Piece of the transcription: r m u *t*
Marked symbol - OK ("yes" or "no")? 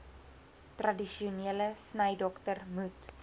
yes